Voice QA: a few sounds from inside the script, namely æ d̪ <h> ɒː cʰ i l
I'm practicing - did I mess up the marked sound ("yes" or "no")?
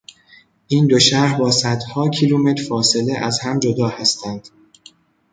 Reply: no